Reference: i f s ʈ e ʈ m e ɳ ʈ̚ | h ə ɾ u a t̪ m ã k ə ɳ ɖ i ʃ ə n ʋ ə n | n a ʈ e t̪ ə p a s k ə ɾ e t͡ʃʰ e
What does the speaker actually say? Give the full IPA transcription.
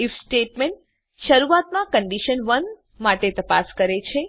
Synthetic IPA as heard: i f s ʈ e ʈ m e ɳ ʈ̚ | ʃ ə ɾ u a t̪ m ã k ə ɳ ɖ i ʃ ə n ʋ ə n | m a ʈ e t̪ ə p a s k ə ɾ e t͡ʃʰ e